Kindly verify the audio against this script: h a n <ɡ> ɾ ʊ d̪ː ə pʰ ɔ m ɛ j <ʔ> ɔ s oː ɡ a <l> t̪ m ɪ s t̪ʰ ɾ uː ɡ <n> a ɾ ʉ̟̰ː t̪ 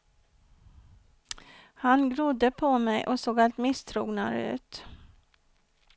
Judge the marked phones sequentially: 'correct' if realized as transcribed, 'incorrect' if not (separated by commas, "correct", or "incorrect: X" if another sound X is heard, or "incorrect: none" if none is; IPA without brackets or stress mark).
correct, correct, correct, correct